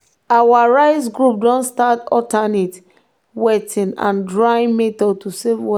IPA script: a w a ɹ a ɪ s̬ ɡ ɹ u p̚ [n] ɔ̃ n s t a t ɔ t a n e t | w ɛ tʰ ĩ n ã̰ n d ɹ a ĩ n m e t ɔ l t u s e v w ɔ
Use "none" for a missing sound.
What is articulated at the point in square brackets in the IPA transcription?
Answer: d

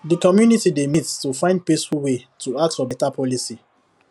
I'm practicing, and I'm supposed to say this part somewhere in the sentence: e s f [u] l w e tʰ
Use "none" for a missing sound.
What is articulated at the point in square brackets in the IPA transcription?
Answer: u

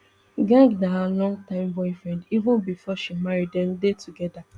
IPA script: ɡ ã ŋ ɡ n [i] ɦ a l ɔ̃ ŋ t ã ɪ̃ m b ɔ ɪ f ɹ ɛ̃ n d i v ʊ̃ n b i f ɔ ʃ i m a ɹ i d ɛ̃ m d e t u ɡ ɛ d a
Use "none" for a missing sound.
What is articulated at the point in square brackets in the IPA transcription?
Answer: a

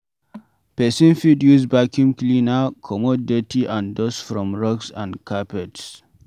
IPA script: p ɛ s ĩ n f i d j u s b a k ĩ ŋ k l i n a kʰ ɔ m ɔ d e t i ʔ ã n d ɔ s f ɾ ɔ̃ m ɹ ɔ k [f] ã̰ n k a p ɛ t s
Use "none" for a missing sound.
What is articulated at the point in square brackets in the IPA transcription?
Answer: s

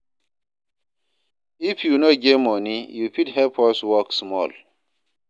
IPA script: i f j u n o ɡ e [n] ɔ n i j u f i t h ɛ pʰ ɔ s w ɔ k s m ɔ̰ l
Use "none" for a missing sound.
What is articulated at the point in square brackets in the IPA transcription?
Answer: m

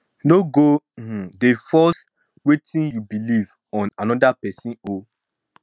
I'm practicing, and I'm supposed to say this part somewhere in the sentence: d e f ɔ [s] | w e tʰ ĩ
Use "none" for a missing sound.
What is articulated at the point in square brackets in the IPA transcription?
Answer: s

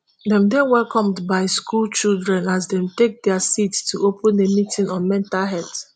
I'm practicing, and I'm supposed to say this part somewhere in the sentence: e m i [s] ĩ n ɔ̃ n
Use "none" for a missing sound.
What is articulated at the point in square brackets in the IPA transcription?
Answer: t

